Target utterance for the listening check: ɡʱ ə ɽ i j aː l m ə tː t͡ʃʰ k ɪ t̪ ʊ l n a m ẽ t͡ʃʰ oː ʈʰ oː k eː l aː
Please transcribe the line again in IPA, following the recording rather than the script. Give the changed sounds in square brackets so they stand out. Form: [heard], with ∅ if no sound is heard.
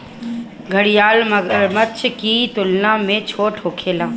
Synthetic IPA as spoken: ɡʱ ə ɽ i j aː l m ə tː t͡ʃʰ k [i] t̪ ʊ l n a m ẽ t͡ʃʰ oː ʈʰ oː [kʰ] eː l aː

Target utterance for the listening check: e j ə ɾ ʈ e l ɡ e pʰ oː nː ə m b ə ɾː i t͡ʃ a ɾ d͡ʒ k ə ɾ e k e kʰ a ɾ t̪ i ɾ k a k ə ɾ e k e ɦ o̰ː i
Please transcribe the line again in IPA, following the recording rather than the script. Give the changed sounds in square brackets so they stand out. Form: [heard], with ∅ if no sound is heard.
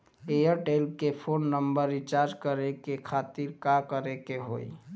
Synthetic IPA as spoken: e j ə ɾ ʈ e l [k] e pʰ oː nː ə m b ə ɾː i t͡ʃ a ɾ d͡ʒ k ə ɾ e k e kʰ a [∅] t̪ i ɾ k a k ə ɾ e k e ɦ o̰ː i

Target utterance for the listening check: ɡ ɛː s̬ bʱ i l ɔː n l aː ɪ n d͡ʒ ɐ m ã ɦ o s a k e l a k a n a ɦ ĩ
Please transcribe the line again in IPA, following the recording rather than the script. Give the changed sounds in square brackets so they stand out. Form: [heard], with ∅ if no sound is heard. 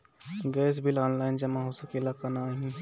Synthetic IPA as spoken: ɡ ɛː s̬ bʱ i l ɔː n l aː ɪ n d͡ʒ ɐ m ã ɦ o s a k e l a k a n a ɦ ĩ

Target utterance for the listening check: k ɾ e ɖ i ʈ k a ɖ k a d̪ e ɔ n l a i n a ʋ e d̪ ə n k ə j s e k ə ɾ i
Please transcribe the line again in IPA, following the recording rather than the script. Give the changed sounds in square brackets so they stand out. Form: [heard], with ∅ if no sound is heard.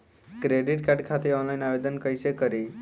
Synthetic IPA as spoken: k ɾ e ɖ i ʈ k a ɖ [kʰ] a [t̪] e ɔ n l a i n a ʋ e d̪ ə n k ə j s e k ə ɾ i

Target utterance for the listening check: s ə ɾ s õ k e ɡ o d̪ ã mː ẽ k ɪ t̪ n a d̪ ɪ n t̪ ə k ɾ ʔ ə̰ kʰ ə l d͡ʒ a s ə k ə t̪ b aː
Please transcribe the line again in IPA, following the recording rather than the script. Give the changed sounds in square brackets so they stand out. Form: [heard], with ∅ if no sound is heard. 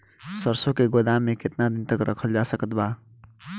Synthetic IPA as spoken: s ə ɾ s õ k e ɡ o d̪ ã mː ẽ k ɪ t̪ n a d̪ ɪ n t̪ ə k ɾ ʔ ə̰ kʰ ə l d͡ʒ a s ə k ə t̪ b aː

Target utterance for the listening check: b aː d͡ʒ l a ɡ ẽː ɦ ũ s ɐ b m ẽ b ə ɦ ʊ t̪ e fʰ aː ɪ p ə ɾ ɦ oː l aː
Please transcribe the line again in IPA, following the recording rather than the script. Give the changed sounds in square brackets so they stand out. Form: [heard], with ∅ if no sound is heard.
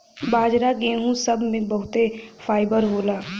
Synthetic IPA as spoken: b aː d͡ʒ [ɾ] a ɡ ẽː ɦ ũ s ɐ b m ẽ b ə ɦ ʊ t̪ e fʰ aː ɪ [b] ə ɾ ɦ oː l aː

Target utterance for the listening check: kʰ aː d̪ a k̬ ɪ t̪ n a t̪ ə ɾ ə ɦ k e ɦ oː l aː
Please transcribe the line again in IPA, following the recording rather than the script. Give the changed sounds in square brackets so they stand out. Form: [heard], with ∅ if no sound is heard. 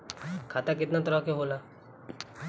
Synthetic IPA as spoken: kʰ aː [t̪] a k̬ ɪ t̪ n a t̪ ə ɾ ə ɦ k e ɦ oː l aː

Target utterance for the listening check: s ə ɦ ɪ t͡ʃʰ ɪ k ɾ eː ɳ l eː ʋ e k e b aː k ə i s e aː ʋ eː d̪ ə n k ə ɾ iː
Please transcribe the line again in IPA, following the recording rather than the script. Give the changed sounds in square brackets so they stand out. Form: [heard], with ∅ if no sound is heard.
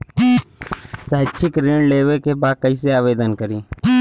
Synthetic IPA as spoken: s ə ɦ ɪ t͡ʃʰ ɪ k ɾ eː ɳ l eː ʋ e k e b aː k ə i s e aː ʋ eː d̪ ə n k ə ɾ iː

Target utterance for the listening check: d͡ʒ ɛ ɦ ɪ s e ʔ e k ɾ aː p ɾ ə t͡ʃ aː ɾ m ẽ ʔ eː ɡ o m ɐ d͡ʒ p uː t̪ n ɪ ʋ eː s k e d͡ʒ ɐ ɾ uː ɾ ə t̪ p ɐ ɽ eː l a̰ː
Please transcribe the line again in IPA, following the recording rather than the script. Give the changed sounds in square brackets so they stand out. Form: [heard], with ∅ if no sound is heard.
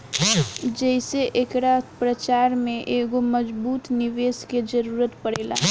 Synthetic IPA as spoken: d͡ʒ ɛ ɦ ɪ s e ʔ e k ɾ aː p ɾ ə t͡ʃ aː ɾ m ẽ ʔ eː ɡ o m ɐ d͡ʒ [b] uː t̪ n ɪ ʋ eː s k e d͡ʒ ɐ ɾ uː ɾ ə t̪ p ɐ ɽ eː l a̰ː

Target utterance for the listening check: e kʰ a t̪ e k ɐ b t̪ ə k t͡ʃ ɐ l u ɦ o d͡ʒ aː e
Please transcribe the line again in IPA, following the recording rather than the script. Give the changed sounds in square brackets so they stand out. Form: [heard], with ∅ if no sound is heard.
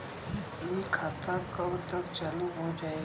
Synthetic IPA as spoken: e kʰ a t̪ [a] k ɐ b t̪ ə k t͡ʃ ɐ l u ɦ o d͡ʒ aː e

